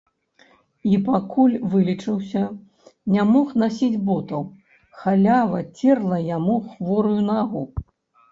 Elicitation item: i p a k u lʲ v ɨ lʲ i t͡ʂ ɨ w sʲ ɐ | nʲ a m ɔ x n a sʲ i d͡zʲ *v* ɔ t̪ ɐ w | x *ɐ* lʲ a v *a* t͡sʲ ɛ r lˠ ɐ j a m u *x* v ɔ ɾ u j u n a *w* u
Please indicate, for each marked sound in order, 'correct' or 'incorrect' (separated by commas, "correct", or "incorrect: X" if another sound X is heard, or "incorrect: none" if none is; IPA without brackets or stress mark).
incorrect: b, incorrect: a, incorrect: ɐ, correct, incorrect: ɣ